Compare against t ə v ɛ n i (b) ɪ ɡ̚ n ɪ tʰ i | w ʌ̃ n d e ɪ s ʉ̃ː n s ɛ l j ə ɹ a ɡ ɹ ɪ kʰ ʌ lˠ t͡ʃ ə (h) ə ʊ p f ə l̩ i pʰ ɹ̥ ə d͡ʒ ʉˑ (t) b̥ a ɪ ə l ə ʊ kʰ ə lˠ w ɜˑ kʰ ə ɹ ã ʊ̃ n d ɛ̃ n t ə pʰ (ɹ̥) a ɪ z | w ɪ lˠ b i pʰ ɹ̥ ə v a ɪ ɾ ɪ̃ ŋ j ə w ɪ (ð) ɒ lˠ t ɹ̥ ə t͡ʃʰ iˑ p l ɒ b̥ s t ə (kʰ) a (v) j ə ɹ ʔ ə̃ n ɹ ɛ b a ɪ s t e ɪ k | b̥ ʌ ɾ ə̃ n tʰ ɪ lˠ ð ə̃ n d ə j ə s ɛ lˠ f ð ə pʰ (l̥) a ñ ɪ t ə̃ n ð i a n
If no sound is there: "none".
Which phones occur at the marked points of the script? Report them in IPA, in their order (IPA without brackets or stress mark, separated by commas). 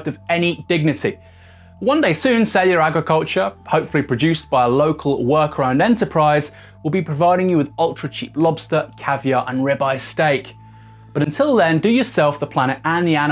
d, h, s, ɹ̥, ð, kʰ, v, l̥